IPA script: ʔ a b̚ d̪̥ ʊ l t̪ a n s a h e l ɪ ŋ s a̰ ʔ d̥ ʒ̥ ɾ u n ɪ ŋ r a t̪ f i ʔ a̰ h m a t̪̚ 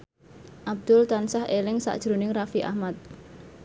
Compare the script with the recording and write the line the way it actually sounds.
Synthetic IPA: ʔ a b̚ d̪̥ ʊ l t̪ a n s a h e l ɪ ŋ s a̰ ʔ d̥ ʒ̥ ɾ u n ɪ ŋ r a f i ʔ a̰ h m a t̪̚